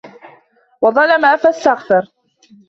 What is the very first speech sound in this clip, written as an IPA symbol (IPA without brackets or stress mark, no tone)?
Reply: w